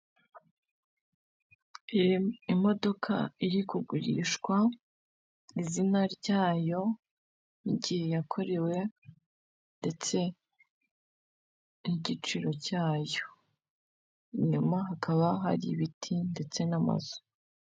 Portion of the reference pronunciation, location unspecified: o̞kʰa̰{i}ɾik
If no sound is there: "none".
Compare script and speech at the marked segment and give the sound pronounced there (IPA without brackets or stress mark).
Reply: i